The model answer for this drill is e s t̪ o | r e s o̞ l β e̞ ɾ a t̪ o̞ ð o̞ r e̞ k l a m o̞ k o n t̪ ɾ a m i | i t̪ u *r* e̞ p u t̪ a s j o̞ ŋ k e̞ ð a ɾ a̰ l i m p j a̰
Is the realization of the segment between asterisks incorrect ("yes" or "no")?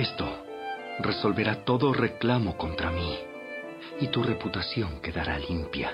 no